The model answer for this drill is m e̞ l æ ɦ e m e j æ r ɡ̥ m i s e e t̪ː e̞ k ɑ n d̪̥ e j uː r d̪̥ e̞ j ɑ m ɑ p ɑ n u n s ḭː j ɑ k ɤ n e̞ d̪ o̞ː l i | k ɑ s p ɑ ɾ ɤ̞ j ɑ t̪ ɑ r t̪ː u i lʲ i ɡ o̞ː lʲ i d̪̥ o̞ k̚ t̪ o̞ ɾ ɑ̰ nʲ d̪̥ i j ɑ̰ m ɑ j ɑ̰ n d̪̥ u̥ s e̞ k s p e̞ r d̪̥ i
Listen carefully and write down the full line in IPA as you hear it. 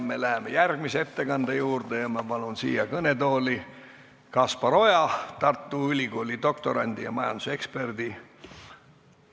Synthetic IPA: m e̞ l æ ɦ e m e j æ r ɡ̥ m i s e e t̪ː e̞ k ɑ n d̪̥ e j uː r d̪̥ e̞ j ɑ m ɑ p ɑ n u n s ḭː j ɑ k ɤ n e̞ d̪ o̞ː l i | k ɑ s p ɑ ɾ o̞ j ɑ t̪ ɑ r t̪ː u y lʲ i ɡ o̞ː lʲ i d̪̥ o̞ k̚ t̪ o̞ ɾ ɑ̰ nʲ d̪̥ i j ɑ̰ m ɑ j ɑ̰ n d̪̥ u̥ s e̞ k s p e̞ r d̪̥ i